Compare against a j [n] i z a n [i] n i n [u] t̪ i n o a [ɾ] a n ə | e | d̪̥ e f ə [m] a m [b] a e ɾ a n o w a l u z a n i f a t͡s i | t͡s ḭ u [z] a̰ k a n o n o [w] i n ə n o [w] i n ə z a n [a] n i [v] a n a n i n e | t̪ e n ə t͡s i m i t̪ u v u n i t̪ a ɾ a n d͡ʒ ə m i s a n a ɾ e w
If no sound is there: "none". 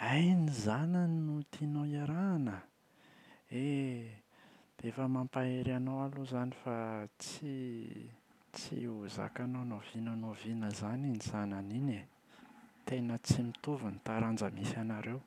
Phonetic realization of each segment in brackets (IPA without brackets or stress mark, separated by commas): n, a, u, ɾ, m, p, z, v, v, i, z